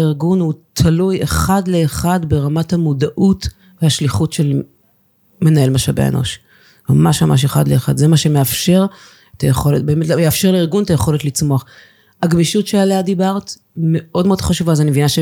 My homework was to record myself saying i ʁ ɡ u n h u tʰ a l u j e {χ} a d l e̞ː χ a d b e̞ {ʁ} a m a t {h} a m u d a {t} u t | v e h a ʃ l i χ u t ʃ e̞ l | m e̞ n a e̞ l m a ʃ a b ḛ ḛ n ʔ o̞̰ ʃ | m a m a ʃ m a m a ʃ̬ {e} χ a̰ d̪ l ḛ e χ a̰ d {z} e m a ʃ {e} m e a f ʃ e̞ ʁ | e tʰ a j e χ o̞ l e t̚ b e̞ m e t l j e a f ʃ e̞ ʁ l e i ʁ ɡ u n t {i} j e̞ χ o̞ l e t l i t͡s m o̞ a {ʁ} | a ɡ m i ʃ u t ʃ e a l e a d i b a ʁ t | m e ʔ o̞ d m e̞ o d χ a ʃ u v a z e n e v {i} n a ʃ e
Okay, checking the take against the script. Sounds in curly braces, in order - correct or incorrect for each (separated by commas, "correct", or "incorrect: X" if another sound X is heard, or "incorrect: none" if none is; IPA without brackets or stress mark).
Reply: correct, correct, correct, incorrect: ʔ, correct, correct, correct, incorrect: a, incorrect: χ, correct